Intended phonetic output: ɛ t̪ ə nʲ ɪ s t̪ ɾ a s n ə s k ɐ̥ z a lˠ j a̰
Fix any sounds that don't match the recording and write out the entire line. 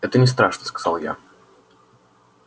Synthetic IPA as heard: ɛ t̪ ə nʲ ɪ s t̪ ɾ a ʂ n ə s k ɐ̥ z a lˠ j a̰